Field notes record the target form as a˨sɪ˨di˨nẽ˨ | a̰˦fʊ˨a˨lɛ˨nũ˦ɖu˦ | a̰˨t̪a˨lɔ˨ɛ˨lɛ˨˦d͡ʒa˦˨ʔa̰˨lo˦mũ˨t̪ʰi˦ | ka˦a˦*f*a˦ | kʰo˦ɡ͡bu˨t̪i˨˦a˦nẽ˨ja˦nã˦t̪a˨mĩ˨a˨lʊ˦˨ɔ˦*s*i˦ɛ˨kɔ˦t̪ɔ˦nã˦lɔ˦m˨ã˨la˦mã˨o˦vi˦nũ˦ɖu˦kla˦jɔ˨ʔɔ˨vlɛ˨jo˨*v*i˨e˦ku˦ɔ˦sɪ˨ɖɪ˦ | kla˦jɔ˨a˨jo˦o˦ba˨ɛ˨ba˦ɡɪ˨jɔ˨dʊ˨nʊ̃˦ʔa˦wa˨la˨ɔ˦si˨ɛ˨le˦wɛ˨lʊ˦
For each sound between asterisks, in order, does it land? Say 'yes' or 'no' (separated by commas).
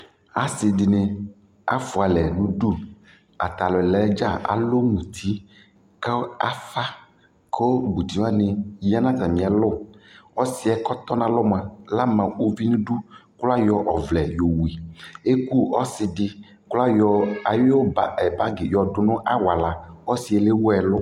yes, yes, no